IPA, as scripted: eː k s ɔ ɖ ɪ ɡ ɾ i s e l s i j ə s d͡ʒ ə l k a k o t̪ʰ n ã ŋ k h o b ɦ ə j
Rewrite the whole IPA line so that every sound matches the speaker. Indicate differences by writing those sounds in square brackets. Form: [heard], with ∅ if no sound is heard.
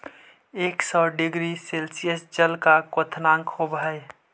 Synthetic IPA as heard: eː k s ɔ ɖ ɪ ɡ ɾ i s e l s i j ə s d͡ʒ ə l k a k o t̪ʰ n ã ŋ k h o b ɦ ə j